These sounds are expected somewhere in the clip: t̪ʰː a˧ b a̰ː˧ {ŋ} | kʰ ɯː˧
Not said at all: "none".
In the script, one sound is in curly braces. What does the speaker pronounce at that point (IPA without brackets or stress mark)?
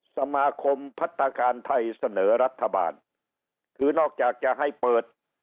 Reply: n